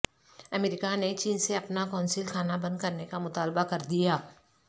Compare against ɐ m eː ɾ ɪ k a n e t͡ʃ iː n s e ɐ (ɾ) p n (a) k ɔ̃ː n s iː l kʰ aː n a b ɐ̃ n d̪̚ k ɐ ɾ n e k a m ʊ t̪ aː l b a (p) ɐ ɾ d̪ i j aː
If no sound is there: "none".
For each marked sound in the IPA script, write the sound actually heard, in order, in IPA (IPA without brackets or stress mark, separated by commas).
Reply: none, a, k